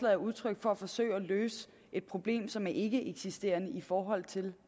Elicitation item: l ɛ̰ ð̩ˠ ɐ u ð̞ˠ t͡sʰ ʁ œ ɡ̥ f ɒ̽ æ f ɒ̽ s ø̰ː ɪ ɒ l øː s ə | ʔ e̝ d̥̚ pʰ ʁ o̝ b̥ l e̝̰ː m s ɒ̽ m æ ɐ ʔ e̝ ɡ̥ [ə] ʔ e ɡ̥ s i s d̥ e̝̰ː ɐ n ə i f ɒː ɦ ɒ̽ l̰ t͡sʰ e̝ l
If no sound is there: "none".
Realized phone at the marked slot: ə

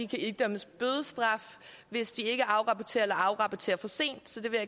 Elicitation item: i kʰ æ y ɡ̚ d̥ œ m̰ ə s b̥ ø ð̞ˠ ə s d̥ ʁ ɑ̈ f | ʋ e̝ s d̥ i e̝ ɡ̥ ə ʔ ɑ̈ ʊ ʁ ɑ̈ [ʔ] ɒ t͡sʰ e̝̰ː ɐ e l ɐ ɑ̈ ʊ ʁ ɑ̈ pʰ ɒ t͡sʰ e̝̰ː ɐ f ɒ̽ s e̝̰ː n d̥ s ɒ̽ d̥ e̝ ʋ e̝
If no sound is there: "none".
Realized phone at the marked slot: p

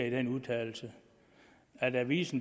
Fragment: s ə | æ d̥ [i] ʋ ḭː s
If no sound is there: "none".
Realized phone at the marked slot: æ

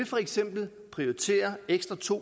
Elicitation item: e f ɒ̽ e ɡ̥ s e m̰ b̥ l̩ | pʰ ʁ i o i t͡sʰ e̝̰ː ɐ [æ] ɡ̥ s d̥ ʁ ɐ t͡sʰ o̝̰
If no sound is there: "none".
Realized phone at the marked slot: e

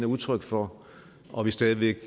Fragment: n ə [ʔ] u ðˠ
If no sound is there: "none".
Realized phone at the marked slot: none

